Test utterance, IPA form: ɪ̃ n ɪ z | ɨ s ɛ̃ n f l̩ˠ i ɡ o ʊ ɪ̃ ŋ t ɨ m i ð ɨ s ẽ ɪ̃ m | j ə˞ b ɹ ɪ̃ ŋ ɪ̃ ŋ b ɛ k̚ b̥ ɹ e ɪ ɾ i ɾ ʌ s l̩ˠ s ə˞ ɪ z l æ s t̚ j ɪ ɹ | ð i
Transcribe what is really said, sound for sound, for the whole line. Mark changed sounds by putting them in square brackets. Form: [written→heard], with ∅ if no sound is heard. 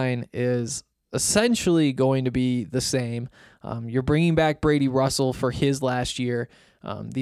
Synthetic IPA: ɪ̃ n ɪ z | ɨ s ɛ̃ n [f→ʃ] l̩ˠ i ɡ o ʊ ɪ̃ ŋ t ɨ [m→b] i ð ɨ s ẽ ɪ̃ m | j ə˞ b ɹ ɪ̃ ŋ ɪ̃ ŋ b [ɛ→æ] k̚ b̥ ɹ e ɪ ɾ i [ɾ→ɹ] ʌ s l̩ˠ [s→f] ə˞ ɪ z l æ s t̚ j ɪ ɹ | ð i